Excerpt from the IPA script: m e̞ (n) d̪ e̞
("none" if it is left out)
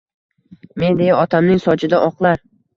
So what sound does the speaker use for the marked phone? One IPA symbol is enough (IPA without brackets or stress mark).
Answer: n